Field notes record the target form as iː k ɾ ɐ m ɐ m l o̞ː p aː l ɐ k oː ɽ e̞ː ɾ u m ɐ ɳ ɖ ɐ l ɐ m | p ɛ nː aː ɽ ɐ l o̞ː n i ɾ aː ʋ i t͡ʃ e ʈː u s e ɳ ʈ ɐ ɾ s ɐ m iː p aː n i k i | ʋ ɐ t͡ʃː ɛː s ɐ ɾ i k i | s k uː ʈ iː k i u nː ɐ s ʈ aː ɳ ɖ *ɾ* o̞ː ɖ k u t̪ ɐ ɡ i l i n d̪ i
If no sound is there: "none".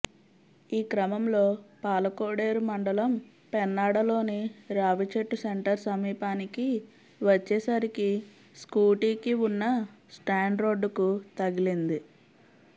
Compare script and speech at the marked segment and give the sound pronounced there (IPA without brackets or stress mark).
ɾ